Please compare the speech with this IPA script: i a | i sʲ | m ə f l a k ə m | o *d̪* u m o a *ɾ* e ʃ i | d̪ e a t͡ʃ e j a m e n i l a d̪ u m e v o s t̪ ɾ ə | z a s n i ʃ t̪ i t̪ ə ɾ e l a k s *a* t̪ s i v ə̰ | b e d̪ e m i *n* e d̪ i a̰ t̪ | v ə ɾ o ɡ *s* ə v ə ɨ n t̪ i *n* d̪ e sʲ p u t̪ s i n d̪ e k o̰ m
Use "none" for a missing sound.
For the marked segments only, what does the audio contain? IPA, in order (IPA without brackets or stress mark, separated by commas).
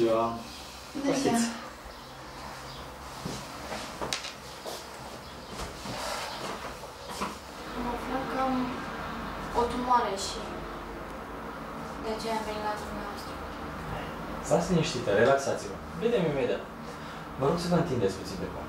t̪, ɾ, a, m, s, n